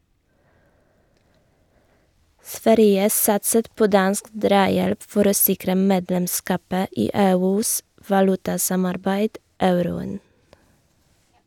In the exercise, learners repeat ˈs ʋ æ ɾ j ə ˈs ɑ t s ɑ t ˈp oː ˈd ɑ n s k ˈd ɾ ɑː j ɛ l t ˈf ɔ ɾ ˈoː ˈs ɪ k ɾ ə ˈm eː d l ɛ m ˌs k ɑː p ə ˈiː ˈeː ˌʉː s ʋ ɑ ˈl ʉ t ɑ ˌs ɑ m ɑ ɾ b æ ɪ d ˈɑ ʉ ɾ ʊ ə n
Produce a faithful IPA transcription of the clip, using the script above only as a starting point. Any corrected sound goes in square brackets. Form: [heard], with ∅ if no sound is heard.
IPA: ˈs ʋ æ ɾ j ə ˈs ɑ t s [ə] t ˈp oː ˈd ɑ n s k ˈd ɾ ɑː j ɛ l [p] ˈf ɔ ɾ ˈoː ˈs ɪ k ɾ ə ˈm eː d l ɛ m ˌs k ɑː p ə ˈiː ˈeː ˌʉː s ʋ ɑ ˈl ʉ t ɑ ˌs ɑ m ɑ ɾ b æ ɪ d ˈɑ ʉ ɾ ʊ ə n